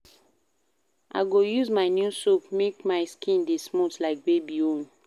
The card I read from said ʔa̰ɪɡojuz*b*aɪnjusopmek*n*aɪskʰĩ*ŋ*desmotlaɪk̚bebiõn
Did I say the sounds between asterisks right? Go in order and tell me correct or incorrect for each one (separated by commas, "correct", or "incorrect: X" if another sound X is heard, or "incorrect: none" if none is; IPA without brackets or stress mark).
incorrect: m, incorrect: m, incorrect: n